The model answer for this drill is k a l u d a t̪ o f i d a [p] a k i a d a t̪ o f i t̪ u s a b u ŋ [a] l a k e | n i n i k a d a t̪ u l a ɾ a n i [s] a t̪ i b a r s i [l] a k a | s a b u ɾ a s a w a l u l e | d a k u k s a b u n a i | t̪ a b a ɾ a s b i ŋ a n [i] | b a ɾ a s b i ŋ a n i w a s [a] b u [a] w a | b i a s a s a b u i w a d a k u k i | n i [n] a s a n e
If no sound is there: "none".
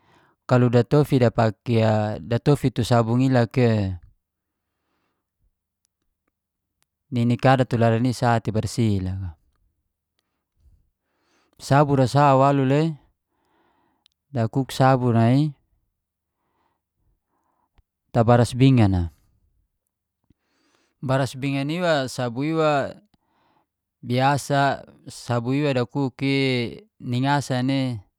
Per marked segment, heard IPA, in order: p, i, s, l, a, a, i, ŋ

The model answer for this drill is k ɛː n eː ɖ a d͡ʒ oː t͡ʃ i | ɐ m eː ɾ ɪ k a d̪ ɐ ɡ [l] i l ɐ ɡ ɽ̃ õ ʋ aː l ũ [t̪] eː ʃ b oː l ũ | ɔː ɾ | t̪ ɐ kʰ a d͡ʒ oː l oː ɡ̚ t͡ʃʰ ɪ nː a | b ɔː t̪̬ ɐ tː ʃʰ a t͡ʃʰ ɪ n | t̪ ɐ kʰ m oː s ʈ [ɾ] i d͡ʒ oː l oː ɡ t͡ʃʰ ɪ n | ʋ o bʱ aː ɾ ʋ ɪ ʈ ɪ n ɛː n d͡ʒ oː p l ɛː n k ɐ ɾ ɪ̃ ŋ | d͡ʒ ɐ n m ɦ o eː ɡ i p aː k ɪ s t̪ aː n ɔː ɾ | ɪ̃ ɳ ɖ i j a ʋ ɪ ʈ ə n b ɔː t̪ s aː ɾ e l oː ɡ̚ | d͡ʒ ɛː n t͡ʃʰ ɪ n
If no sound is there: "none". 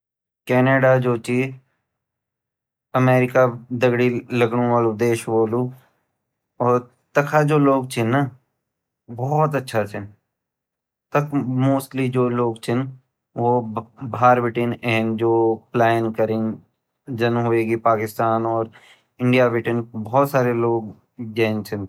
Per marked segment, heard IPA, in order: ɽ, d̪, l

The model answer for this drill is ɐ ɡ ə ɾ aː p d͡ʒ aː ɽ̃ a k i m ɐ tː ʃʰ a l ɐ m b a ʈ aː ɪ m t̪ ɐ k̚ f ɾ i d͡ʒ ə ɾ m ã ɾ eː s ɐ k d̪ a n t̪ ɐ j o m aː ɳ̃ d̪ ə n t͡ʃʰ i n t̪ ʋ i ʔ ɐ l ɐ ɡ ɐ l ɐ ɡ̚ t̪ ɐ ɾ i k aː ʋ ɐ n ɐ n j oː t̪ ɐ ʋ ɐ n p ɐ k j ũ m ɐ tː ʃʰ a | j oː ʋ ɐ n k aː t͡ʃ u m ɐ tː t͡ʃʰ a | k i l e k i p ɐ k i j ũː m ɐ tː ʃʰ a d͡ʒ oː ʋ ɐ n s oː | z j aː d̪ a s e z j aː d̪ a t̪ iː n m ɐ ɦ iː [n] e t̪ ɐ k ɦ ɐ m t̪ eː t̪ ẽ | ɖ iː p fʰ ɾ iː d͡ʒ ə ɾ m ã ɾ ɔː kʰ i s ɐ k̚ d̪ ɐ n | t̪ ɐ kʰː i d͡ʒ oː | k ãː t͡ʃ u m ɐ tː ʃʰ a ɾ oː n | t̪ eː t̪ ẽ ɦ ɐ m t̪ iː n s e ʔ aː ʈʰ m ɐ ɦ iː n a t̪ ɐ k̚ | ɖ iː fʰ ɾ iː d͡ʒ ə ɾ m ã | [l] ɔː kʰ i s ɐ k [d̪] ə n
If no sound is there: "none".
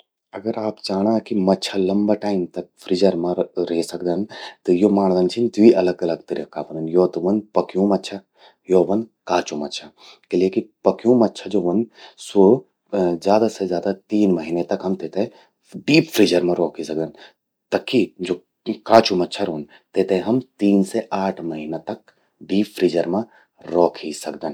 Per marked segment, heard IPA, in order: n, ɾ, d̪

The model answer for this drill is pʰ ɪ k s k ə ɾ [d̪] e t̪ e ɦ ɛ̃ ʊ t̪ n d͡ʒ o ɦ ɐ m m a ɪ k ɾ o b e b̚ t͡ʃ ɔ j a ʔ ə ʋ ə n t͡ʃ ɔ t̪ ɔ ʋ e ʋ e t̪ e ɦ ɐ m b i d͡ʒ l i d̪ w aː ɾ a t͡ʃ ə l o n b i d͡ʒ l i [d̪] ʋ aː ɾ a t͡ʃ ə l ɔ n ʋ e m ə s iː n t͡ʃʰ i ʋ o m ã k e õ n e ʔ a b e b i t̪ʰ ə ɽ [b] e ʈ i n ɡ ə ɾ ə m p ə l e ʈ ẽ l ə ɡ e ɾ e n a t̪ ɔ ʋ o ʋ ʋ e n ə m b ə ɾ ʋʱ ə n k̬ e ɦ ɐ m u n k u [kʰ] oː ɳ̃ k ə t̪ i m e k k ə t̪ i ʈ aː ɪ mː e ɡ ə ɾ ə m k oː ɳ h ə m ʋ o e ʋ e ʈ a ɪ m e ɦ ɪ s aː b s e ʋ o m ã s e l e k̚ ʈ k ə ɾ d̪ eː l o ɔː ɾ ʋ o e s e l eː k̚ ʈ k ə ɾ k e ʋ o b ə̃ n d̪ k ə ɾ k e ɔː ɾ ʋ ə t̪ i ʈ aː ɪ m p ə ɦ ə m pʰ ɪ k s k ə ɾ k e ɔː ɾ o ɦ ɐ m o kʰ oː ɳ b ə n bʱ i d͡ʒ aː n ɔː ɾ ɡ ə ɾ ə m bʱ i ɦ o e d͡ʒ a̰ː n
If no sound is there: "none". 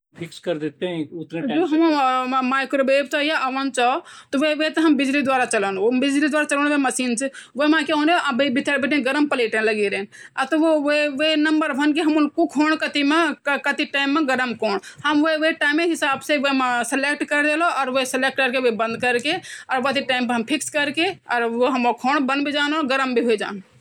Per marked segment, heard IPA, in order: d̪, d̪, b, kʰ

